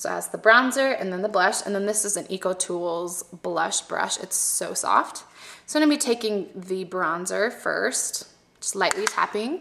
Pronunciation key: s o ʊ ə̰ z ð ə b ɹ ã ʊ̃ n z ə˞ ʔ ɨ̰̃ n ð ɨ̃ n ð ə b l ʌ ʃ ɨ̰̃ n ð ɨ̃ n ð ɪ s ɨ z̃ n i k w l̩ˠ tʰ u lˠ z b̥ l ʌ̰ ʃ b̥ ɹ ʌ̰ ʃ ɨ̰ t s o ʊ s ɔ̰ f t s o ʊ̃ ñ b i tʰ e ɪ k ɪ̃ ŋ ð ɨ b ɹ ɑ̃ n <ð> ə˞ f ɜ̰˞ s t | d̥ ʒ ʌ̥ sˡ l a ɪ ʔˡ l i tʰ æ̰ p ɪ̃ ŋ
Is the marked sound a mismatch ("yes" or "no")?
yes